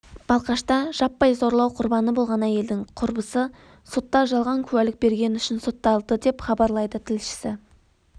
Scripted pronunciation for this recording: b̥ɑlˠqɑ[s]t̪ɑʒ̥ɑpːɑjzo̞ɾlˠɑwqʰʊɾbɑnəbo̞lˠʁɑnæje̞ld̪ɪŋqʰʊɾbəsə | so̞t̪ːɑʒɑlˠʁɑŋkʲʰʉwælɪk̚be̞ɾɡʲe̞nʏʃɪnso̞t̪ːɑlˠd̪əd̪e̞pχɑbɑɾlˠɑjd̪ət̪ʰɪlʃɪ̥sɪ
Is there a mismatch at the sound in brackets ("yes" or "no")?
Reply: yes